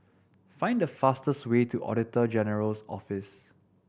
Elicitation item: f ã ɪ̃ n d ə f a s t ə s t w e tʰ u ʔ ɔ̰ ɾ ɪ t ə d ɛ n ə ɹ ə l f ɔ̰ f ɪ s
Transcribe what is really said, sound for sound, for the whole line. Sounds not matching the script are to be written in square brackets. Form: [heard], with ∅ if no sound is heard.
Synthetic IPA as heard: f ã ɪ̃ n d ə f a s t ə s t w e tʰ u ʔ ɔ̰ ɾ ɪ t ə [d͡ʒ] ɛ n ə ɹ ə l [s] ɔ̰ f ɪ s